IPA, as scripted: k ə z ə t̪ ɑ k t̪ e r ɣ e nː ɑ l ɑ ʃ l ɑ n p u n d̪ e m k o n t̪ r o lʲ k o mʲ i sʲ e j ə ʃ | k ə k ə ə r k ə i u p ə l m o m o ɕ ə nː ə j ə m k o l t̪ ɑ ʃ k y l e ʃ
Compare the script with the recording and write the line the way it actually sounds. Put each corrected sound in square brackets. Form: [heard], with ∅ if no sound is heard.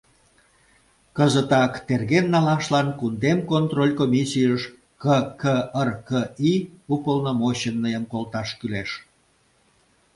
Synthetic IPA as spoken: k ə z ə t̪ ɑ k t̪ e r ɣ e nː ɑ l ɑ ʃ l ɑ n [k] u n d̪ e m k o n t̪ r o lʲ k o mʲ i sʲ [i] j ə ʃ | k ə k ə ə r k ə i u p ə l [n] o m o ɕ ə nː ə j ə m k o l t̪ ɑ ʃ k y l e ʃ